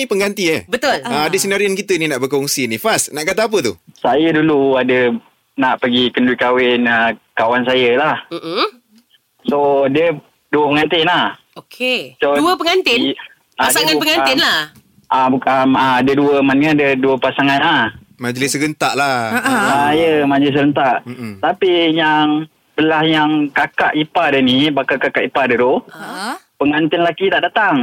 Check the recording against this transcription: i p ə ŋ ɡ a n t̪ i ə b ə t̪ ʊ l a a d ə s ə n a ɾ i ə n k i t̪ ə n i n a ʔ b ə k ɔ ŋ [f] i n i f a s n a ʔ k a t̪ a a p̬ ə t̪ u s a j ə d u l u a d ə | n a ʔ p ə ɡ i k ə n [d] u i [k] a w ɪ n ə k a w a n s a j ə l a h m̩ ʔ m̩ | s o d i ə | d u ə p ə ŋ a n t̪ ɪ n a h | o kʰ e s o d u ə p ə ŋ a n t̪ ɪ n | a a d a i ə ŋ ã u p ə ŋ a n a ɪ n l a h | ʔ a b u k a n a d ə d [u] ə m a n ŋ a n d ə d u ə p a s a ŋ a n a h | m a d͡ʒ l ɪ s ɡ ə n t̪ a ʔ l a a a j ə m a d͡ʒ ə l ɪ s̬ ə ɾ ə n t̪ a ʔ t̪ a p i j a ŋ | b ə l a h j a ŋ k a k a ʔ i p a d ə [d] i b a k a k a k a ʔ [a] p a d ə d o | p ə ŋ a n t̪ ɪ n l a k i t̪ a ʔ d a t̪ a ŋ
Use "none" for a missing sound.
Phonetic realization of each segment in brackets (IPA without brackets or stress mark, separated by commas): s, d, k, u, n, i